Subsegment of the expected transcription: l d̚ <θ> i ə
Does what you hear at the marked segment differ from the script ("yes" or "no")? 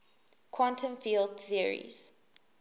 no